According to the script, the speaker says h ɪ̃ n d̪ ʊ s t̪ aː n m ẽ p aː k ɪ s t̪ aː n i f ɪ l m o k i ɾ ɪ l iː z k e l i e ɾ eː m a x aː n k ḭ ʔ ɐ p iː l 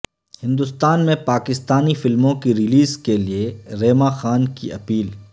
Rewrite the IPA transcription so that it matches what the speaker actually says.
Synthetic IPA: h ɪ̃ n d̪ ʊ s t̪ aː n m ẽ p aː k ɪ s t̪ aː n i f ɪ l m õ k i ɾ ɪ l iː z k e l i e ɾ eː m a x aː n k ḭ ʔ ɐ p iː l